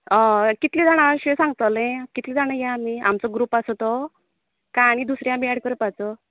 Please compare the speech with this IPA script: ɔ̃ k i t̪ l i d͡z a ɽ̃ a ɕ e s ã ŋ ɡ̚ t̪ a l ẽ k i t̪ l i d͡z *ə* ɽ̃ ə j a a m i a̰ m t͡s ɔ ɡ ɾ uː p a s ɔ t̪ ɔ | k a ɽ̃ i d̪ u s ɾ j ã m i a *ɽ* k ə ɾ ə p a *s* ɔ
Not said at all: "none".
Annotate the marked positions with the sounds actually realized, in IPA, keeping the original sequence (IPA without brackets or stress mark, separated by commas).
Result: a, ɽ, t͡s